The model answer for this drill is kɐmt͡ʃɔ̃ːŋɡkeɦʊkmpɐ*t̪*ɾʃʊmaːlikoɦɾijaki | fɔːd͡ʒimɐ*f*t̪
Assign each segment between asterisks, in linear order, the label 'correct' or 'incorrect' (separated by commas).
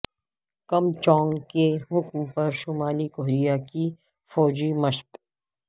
incorrect, incorrect